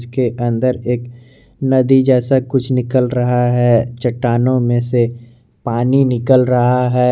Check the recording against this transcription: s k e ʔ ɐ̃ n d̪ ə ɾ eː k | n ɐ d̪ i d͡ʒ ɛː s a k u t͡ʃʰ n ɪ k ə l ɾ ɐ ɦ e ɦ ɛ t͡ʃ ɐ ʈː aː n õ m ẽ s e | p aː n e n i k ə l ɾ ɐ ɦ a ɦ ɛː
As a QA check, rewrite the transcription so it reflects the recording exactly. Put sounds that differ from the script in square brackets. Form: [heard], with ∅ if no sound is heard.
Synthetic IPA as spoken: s k e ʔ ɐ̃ n d̪ ə ɾ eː k | n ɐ d̪ i d͡ʒ ɛː s a k [ʊ] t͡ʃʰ n ɪ k ə l ɾ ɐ ɦ [a] ɦ ɛ t͡ʃ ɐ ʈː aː n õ m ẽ s e | p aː n [i] n [ɪ] k ə l ɾ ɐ ɦ a ɦ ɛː